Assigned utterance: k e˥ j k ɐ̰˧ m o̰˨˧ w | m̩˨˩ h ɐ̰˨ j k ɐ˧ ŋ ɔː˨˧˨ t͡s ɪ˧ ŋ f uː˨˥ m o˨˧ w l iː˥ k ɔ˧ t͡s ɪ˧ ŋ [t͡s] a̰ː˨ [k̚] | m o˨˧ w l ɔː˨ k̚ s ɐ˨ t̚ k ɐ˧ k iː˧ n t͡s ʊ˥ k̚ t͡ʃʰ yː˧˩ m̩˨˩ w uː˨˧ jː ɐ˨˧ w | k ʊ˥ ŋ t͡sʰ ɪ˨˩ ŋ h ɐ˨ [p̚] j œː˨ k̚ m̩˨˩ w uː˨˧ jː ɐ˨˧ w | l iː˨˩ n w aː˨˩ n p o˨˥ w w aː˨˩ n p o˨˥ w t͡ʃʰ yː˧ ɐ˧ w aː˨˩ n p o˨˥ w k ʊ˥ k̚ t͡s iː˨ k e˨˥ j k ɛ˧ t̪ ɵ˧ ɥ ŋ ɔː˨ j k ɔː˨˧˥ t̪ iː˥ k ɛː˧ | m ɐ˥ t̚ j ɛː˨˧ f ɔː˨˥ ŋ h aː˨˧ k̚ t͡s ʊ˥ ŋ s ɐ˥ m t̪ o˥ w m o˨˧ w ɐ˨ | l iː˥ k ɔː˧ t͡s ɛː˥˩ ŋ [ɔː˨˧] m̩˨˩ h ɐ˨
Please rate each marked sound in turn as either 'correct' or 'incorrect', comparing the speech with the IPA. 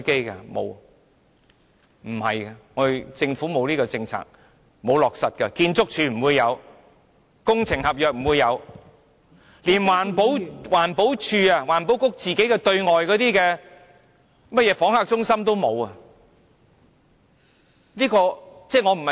incorrect: t͡sʰ, correct, correct, incorrect: ɔ˨˧

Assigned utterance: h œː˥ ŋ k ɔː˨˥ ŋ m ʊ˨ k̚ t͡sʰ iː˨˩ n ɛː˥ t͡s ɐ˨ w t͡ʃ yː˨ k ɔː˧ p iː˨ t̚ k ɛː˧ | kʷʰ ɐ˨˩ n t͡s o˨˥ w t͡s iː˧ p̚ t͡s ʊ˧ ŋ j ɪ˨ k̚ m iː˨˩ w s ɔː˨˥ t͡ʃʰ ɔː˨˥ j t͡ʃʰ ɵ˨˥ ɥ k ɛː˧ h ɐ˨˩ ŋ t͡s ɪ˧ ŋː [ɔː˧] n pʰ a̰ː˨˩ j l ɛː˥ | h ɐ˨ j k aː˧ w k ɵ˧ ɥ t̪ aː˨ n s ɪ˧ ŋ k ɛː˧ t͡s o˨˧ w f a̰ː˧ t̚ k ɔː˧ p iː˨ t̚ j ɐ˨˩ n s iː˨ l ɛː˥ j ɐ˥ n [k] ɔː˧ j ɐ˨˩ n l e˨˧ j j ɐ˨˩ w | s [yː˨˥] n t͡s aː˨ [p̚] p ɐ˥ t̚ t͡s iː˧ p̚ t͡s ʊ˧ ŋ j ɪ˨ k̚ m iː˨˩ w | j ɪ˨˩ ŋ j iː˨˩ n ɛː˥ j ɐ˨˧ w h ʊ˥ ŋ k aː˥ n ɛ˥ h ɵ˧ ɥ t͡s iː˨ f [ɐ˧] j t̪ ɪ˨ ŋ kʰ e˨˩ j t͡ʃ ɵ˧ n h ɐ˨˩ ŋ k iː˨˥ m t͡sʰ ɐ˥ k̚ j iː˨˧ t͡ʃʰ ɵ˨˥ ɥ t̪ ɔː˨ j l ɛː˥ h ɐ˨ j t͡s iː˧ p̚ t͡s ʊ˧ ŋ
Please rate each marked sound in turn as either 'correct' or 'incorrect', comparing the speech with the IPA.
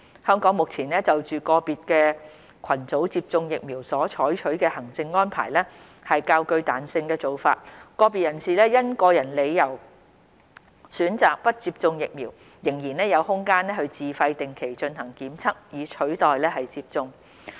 incorrect: ɔː˥, correct, correct, incorrect: k̚, correct

